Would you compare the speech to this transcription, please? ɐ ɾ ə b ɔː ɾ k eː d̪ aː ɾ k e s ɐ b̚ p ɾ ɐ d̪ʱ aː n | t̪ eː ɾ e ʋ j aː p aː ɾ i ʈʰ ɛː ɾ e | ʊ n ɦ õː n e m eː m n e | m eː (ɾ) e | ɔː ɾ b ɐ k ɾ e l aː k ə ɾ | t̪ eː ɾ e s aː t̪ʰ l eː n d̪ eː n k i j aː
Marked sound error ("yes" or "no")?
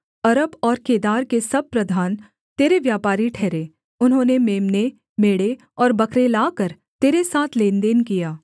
yes